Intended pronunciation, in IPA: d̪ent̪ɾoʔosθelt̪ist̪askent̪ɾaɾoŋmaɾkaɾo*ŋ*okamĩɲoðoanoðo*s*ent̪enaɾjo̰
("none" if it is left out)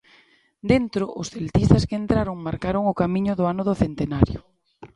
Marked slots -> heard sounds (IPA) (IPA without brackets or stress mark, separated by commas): ŋ, θ